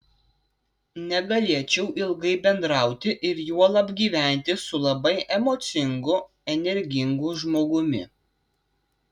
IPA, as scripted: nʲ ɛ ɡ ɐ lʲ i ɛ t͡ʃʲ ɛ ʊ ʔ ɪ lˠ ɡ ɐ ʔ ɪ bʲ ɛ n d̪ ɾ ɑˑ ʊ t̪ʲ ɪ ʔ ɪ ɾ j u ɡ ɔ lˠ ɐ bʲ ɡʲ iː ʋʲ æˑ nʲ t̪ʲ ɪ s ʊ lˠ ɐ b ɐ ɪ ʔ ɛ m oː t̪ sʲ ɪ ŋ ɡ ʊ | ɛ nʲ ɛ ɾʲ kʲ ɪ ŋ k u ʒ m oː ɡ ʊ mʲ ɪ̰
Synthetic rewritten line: nʲ ɛ ɡ ɐ lʲ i ɛ t͡ʃʲ ɛ ʊ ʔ ɪ lˠ ɡ ɐ ɪ bʲ ɛ n d̪ ɾ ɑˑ ʊ t̪ʲ ɪ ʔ ɪ ɾ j u ɔ lˠ ɐ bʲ ɡʲ iː ʋʲ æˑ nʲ t̪ʲ ɪ s ʊ lˠ ɐ b ɐ ɪ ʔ ɛ m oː t̪ sʲ ɪ ŋ ɡ ʊ | ɛ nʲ ɛ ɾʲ ɡʲ ɪ ŋ ɡ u ʒ m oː ɡ ʊ mʲ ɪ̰